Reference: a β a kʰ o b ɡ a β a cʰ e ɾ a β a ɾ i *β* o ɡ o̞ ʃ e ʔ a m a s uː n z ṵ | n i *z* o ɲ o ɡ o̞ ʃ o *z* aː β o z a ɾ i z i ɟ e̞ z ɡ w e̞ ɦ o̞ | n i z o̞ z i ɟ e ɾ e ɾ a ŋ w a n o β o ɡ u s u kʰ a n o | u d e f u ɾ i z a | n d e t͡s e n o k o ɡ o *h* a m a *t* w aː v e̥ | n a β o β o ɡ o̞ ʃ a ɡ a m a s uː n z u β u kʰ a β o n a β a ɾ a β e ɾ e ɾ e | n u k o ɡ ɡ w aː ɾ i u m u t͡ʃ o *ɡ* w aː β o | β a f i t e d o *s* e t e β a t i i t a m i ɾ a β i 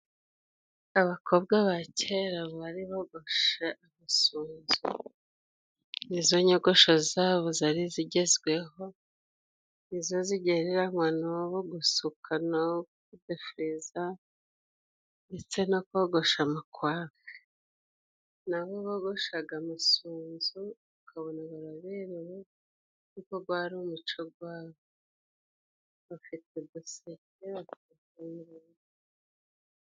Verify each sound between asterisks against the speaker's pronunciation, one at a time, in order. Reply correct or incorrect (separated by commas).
correct, correct, correct, incorrect, incorrect, correct, correct